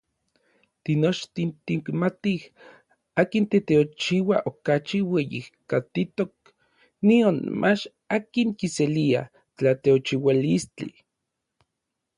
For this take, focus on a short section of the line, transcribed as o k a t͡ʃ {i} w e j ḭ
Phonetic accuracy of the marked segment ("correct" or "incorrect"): correct